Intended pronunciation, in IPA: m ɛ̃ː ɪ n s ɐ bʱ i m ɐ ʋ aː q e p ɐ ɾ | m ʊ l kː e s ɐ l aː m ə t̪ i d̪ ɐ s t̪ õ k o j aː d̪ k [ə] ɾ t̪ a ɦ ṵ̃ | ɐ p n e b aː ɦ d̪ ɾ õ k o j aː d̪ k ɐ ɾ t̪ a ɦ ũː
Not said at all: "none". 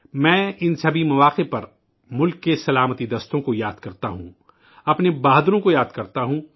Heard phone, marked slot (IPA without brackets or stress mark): ɐ